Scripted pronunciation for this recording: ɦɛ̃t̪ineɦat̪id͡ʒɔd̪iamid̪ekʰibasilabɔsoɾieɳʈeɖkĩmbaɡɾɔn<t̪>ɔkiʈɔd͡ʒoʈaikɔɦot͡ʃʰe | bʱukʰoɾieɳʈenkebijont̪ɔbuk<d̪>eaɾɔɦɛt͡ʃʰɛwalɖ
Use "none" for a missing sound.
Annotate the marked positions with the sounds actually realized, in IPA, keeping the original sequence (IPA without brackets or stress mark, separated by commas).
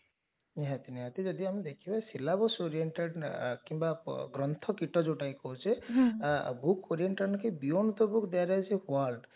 t̪ʰ, d̪